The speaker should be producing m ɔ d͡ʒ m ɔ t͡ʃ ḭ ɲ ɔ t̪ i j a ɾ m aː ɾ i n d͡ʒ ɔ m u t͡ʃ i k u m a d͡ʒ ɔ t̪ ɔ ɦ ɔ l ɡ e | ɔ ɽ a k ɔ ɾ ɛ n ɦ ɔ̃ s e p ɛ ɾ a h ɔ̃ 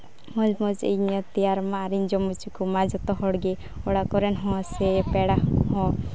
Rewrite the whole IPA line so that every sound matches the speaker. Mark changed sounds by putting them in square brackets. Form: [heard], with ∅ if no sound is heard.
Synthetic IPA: m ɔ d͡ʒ m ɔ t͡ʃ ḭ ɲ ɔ t̪ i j a ɾ m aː ɾ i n d͡ʒ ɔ m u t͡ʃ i k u m a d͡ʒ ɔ t̪ ɔ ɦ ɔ [ɽ] ɡ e | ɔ ɽ a k ɔ ɾ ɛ n ɦ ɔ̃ s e p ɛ [ɽ] a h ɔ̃